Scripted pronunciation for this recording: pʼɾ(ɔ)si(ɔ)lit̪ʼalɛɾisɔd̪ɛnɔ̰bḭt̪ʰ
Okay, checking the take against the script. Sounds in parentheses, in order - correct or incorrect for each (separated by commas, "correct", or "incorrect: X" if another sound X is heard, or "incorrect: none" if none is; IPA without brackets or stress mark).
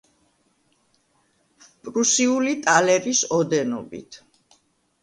incorrect: u, incorrect: u